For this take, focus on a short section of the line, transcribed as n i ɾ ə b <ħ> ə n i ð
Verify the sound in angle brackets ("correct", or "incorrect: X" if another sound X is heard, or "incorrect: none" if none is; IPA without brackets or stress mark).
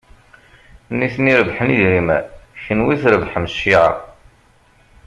correct